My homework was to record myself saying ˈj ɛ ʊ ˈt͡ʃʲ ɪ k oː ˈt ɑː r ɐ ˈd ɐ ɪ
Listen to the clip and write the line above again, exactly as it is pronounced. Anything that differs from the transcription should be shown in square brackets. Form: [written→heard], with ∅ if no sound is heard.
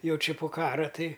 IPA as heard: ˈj ɛ ʊ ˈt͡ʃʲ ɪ [k→p] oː [ˈt→ˈk] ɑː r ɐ [ˈd→ˈt] ɐ ɪ